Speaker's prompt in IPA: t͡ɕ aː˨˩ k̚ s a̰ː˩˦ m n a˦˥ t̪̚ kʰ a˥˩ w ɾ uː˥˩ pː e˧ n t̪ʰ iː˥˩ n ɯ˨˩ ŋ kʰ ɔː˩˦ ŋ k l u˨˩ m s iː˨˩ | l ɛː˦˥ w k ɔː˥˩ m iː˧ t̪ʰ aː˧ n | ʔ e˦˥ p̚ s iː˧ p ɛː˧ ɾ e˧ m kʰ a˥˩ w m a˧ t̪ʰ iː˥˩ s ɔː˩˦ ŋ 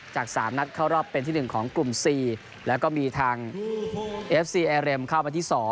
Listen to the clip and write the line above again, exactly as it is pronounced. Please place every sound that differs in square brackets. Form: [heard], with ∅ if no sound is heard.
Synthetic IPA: t͡ɕ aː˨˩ k̚ s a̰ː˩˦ m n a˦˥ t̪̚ kʰ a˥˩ w ɾ [ɔː˥˩] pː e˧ n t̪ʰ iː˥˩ n ɯ˨˩ ŋ kʰ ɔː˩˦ ŋ k l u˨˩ m s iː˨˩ | l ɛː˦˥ w k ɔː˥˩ m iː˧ t̪ʰ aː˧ [ŋ] | ʔ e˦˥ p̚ s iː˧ [ʔ] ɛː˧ ɾ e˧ m kʰ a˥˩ w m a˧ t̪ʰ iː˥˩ s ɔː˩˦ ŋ